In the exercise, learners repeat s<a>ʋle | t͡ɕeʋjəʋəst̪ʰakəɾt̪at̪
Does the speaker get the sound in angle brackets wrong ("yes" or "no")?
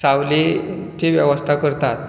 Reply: no